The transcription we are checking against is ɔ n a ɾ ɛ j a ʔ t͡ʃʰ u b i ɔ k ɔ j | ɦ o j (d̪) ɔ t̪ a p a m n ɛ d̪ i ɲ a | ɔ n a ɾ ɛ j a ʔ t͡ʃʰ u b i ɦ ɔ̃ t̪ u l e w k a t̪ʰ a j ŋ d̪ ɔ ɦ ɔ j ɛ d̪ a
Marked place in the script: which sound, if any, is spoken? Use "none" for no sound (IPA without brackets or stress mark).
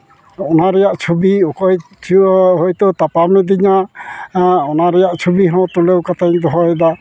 t̪